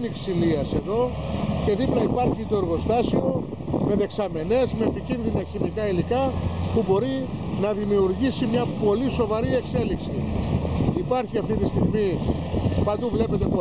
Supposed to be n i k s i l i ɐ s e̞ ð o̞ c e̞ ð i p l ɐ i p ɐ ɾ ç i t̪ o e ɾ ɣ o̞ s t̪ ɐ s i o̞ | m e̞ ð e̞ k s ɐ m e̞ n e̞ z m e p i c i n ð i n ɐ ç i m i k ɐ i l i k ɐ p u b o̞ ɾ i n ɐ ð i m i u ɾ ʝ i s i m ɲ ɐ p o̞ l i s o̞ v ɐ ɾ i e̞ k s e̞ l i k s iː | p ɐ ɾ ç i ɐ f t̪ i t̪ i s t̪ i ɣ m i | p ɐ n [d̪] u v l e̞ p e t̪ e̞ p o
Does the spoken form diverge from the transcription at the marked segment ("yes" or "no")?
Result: no